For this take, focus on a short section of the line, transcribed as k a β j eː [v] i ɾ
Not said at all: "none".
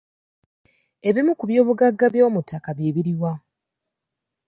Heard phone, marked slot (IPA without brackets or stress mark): β